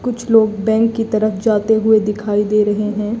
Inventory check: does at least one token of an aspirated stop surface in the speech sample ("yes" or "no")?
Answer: yes